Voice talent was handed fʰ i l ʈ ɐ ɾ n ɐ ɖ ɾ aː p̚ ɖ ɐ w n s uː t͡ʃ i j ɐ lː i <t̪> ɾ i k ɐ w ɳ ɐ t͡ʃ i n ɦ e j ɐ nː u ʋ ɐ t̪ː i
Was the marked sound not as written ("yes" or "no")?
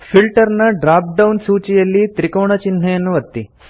no